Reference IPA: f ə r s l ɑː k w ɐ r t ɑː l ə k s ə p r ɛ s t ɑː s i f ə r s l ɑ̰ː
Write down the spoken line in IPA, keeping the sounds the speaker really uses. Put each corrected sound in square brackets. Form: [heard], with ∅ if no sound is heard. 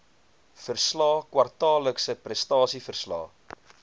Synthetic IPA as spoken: f ə r s l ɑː k w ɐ r t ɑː l ə k s ə p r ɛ s t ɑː s i f ə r s l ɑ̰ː